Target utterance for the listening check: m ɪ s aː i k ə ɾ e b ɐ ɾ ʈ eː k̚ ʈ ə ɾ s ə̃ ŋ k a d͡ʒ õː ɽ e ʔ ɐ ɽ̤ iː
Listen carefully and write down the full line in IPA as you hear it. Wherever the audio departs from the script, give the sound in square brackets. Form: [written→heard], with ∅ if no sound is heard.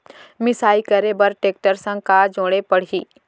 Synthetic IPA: m ɪ s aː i k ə ɾ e b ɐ ɾ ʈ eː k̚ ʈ ə ɾ s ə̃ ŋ k a d͡ʒ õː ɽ e [ʔ→p] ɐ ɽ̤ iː